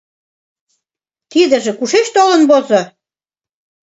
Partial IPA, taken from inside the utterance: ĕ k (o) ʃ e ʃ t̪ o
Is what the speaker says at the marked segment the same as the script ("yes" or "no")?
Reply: no